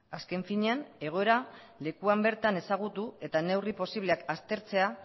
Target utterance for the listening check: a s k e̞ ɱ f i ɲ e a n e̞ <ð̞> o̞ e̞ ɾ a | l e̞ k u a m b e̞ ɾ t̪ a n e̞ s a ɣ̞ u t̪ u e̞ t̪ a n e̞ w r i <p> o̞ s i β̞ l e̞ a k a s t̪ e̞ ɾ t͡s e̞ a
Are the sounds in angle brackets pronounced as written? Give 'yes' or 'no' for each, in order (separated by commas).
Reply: no, yes